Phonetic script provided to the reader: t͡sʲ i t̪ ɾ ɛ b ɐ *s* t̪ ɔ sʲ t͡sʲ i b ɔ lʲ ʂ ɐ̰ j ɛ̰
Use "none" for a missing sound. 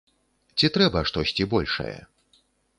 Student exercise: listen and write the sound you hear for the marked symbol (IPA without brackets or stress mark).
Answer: ʂ